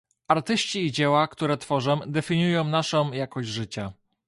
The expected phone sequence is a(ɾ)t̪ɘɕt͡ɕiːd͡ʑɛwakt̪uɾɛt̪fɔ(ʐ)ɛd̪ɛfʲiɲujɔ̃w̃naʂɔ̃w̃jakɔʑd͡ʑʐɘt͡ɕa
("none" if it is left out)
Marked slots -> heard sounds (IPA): ɾ, ʐ

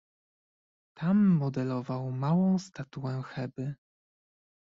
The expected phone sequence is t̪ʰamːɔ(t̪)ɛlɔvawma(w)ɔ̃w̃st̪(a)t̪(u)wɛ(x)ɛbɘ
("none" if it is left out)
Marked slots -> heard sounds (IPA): d̪, w, a, u, x

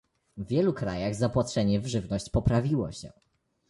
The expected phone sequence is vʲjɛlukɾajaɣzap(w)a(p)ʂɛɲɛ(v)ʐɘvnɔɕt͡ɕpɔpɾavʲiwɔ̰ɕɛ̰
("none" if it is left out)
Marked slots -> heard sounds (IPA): w, t, v

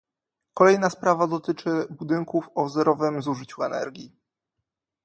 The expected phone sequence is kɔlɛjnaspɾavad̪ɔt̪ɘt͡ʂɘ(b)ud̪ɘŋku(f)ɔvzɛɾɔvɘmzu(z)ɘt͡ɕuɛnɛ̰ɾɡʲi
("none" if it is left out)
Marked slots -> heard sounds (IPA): b, f, ʐ

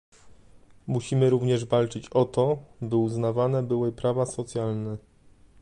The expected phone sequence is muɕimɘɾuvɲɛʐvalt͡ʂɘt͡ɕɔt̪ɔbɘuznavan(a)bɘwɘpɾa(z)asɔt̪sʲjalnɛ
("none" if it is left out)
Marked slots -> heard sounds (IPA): ɛ, v

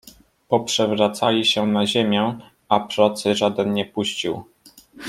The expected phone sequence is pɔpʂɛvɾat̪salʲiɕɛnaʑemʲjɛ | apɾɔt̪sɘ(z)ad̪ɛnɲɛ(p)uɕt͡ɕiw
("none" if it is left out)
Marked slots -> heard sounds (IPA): ʐ, p

